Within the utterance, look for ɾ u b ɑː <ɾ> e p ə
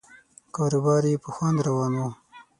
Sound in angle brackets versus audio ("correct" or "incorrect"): correct